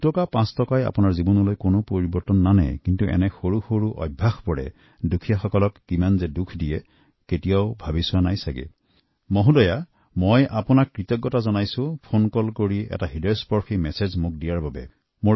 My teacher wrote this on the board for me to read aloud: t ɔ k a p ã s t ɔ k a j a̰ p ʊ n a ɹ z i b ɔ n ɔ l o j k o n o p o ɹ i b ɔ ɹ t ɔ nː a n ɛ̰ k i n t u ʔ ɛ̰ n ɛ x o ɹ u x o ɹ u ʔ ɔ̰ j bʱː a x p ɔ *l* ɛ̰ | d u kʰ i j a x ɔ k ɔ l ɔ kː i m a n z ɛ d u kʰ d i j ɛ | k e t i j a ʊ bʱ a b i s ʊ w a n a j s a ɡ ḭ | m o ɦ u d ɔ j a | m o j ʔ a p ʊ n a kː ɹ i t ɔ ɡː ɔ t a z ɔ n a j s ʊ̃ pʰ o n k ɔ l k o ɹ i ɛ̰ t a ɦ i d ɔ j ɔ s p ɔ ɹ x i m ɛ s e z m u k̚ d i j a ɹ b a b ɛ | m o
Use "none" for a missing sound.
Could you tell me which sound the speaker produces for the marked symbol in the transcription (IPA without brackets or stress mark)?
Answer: ɹ